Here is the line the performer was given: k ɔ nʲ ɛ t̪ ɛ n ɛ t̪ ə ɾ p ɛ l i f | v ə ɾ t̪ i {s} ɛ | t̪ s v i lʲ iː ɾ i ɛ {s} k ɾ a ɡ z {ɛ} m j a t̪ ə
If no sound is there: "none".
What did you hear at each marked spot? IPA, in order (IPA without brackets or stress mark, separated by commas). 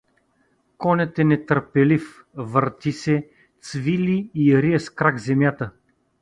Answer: s, s, ɛ